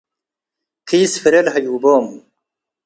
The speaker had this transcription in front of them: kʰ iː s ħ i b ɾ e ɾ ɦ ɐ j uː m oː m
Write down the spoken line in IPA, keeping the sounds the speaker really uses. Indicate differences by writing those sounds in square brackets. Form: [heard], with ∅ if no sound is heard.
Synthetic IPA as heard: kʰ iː s [f] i [∅] ɾ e [l] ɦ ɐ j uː [b] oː m